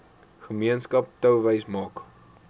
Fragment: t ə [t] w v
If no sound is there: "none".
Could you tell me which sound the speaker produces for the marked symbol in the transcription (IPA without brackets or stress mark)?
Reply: none